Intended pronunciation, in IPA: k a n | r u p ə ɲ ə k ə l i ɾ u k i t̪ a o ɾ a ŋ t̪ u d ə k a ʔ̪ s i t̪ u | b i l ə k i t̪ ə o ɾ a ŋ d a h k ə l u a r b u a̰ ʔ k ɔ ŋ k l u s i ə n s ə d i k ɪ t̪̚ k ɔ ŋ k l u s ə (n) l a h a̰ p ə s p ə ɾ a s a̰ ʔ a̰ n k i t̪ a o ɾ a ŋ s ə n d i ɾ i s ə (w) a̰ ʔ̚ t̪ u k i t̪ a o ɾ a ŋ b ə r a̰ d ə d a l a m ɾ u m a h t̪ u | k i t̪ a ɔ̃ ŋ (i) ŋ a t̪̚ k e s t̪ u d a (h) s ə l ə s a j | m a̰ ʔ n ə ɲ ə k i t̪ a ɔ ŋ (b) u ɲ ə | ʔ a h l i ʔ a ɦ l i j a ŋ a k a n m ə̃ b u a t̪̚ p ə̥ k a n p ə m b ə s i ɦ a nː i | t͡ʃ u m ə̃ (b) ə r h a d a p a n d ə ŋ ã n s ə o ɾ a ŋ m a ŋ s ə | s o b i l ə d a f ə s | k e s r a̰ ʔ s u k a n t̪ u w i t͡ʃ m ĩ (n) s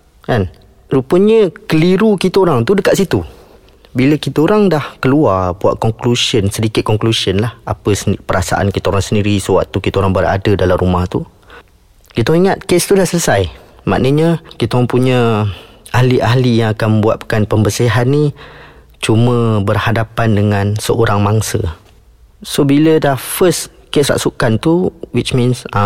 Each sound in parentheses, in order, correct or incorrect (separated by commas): correct, correct, correct, correct, incorrect, correct, correct